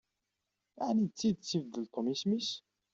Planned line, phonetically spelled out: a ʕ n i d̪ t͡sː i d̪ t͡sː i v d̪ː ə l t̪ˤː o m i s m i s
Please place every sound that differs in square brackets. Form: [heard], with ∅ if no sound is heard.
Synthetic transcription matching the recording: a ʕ n i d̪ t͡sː i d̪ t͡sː i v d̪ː ə l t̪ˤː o m i s m i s